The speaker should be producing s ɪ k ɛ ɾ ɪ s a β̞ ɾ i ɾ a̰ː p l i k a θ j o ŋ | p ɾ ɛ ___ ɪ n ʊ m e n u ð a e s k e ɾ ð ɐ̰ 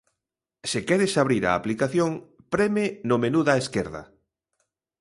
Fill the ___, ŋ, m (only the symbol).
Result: m